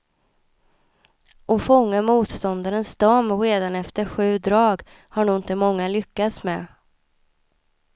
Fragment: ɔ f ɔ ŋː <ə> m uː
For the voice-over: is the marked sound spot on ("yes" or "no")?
no